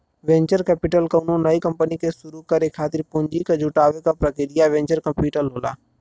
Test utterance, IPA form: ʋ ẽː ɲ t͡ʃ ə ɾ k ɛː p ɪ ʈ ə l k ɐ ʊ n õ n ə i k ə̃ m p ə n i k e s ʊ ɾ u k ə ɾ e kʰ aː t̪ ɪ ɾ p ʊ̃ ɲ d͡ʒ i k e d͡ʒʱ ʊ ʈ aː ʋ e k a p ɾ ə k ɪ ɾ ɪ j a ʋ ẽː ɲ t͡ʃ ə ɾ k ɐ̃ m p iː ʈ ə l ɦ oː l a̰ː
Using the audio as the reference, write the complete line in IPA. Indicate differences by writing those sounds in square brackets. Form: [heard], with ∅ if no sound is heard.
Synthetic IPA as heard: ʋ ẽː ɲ t͡ʃ ə ɾ k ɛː p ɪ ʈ ə l k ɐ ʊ n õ n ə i k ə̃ m p ə n i k e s ʊ ɾ u k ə ɾ e kʰ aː t̪ ɪ ɾ p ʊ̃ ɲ d͡ʒ i k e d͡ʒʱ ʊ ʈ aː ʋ e k a p ɾ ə k ɪ ɾ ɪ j a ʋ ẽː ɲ t͡ʃ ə ɾ k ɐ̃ m p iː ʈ ə l ɦ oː l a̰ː